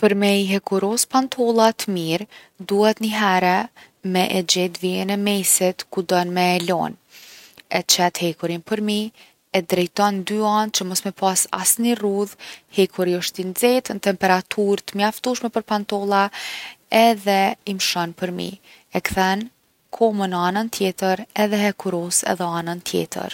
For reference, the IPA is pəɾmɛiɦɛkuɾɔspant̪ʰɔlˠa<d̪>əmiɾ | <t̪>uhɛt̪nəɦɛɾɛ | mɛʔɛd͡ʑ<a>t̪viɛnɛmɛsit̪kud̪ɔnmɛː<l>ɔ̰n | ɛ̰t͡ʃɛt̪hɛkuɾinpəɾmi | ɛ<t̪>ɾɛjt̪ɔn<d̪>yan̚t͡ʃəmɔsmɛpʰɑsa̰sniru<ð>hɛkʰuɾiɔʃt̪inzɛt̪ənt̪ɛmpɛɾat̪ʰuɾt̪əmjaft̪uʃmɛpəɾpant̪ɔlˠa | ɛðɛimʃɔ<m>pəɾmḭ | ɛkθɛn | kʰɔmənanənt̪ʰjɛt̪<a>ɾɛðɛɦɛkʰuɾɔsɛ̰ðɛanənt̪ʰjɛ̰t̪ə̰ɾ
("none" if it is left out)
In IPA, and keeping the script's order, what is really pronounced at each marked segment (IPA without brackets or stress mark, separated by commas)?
t̪, d̪, ɛ, l, d̪, d̪, ð, n, ə